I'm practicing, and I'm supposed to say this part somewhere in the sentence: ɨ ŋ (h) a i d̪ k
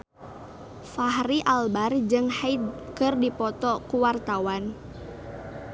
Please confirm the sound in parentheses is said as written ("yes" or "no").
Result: yes